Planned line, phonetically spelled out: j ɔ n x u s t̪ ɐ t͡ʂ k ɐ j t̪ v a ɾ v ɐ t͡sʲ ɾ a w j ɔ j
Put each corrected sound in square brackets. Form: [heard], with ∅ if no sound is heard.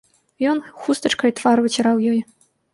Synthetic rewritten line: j ɔ n x u s t̪ ɐ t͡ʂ k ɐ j t̪ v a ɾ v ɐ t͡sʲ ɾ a w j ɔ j